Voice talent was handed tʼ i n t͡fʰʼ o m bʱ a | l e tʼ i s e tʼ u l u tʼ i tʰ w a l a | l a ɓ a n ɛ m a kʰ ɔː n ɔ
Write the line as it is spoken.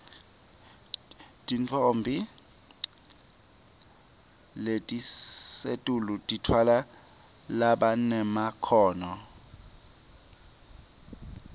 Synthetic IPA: tʼ i n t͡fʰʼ o m bʱ i | l e tʼ i s e tʼ u l u tʼ i tʰ w a l a | l a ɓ a n ɛ m a kʰ ɔː n ɔ